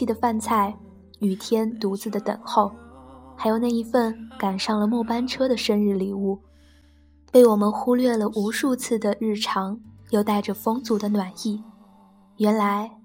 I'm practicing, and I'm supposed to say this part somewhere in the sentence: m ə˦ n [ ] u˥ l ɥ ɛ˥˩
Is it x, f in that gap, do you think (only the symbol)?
x